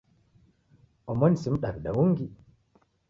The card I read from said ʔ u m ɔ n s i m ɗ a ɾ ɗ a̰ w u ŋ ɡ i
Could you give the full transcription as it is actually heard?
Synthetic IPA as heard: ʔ ɔ m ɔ n s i m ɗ a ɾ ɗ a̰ w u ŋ ɡ i